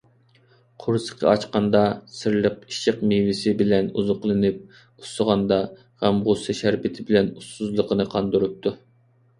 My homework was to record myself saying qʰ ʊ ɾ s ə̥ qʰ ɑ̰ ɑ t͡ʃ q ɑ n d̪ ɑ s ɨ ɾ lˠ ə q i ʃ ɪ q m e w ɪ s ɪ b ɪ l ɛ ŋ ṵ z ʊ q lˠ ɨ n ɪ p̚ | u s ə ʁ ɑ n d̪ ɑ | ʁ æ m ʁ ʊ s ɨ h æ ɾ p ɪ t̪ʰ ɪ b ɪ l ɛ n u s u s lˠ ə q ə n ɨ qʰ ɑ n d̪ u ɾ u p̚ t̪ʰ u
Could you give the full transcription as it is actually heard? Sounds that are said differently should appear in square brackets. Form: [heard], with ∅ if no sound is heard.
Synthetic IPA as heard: qʰ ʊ ɾ s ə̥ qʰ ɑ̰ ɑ t͡ʃ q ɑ n d̪ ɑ s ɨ ɾ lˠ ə q i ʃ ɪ q m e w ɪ s ɪ b ɪ l ɛ [n] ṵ z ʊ q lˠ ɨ n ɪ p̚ | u s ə ʁ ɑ n d̪ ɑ | ʁ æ m ʁ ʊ s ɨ [ʃ] æ ɾ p ɪ t̪ʰ ɪ b ɪ l ɛ n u s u [z] lˠ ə q ə n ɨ qʰ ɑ n d̪ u ɾ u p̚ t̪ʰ u